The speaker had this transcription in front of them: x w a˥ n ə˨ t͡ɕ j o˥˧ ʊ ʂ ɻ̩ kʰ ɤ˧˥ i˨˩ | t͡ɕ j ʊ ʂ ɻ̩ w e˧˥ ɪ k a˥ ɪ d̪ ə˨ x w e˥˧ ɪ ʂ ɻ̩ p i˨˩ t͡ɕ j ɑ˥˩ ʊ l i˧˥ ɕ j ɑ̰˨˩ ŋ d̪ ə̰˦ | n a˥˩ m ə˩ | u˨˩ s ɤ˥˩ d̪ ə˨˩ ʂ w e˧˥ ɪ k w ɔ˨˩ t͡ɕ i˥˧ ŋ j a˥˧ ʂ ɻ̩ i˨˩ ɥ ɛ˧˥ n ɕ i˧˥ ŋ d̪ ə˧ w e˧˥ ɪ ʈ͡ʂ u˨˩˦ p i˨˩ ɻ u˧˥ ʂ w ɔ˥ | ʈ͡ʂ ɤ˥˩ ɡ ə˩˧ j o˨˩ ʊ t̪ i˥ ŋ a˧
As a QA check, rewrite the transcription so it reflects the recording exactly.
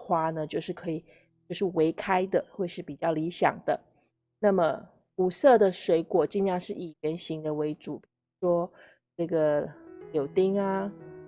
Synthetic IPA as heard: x w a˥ n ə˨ t͡ɕ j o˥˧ ʊ ʂ ɻ̩ kʰ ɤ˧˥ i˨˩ | t͡ɕ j ʊ ʂ ɻ̩ w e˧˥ ɪ kʰ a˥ ɪ d̪ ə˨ x w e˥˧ ɪ ʂ ɻ̩ p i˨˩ t͡ɕ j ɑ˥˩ ʊ l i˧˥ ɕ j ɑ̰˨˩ ŋ d̪ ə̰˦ | n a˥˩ m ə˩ | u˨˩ s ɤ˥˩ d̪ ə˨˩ ʂ w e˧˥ ɪ k w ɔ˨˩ t͡ɕ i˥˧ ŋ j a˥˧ ʂ ɻ̩ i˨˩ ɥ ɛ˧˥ n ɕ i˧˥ ŋ d̪ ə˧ w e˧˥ ɪ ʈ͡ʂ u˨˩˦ p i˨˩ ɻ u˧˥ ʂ w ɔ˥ | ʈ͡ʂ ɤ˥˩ ɡ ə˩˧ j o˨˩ ʊ t̪ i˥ ŋ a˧

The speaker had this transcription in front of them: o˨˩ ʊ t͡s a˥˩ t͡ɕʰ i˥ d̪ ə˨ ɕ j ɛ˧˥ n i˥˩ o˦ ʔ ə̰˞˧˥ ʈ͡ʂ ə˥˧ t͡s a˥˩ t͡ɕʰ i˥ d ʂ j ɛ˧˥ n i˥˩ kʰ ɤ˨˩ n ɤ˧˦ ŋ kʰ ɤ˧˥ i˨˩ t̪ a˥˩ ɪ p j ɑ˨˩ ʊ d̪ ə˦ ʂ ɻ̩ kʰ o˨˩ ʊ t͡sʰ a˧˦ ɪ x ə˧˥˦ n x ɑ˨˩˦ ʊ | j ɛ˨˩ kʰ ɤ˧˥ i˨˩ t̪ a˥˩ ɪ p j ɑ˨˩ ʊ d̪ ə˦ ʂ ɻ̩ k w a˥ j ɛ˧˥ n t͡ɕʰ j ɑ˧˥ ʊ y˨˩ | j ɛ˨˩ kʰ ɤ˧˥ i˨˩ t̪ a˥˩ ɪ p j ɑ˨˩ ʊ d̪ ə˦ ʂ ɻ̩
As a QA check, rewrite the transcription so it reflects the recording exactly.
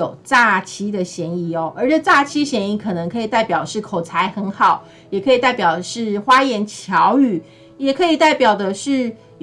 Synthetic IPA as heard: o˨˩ ʊ t͡s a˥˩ t͡ɕʰ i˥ d̪ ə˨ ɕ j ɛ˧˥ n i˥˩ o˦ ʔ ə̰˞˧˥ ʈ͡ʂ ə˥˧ t͡s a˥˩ t͡ɕʰ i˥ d ɕ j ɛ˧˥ n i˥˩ kʰ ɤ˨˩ n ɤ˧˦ ŋ kʰ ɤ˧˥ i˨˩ t̪ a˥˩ ɪ p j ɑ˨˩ ʊ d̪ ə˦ ʂ ɻ̩ kʰ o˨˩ ʊ t͡sʰ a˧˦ ɪ x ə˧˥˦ n x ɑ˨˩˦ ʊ | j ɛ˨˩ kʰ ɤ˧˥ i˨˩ t̪ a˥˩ ɪ p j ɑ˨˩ ʊ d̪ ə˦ ʂ ɻ̩ x w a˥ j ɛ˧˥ n t͡ɕʰ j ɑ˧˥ ʊ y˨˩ | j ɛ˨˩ kʰ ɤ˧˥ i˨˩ t̪ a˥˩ ɪ p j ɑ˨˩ ʊ d̪ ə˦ ʂ ɻ̩

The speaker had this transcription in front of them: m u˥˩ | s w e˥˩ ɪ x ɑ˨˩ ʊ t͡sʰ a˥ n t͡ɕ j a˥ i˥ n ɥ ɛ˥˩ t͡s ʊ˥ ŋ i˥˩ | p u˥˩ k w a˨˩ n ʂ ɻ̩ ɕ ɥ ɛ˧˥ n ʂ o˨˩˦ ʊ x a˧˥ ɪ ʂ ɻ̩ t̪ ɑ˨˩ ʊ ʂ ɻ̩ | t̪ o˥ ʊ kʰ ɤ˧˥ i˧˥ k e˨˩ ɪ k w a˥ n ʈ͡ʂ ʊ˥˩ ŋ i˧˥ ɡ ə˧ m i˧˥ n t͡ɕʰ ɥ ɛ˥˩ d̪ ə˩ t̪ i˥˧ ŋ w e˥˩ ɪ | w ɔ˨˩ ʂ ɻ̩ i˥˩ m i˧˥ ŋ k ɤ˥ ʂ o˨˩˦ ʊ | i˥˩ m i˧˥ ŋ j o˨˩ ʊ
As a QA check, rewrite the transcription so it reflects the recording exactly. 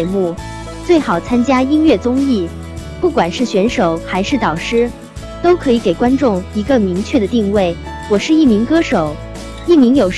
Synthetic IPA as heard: m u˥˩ | t͡s w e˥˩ ɪ x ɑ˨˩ ʊ t͡sʰ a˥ n t͡ɕ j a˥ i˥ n ɥ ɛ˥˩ t͡s ʊ˥ ŋ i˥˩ | p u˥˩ k w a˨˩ n ʂ ɻ̩ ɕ ɥ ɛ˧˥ n ʂ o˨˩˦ ʊ x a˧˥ ɪ ʂ ɻ̩ t̪ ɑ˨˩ ʊ ʂ ɻ̩ | t̪ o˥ ʊ kʰ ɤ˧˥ i˧˥ k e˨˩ ɪ k w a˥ n ʈ͡ʂ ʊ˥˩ ŋ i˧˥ ɡ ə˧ m i˧˥ ŋ t͡ɕʰ ɥ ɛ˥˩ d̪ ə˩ t̪ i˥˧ ŋ w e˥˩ ɪ | w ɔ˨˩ ʂ ɻ̩ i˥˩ m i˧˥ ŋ k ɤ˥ ʂ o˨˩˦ ʊ | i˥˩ m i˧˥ ŋ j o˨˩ ʊ

